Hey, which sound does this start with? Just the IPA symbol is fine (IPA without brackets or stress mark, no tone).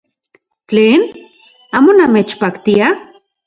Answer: t͡ɬ